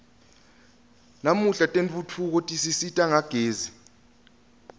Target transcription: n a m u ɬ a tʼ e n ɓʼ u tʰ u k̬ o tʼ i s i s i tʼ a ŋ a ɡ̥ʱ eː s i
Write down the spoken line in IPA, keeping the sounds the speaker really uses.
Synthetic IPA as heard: n a m u ɬ a tʼ e n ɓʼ u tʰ u k̬ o tʼ i s i s i tʼ a ŋ a ɡ̥ʱ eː z i